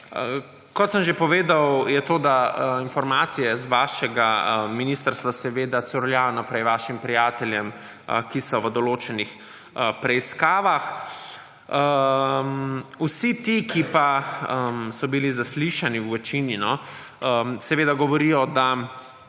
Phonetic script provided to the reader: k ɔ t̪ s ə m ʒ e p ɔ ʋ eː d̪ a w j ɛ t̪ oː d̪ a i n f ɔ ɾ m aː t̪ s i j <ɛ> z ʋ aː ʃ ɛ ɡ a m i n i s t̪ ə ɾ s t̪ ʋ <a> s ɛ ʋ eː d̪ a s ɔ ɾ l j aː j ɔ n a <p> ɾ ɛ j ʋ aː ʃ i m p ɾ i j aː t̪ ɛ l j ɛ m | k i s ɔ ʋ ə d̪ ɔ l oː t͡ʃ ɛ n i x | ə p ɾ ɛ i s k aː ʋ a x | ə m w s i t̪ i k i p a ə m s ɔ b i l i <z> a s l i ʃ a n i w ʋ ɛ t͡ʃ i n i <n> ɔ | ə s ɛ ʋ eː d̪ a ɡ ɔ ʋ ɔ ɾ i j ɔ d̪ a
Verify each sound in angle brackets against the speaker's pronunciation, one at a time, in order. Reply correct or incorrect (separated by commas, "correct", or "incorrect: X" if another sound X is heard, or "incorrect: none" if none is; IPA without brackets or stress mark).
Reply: correct, correct, correct, correct, correct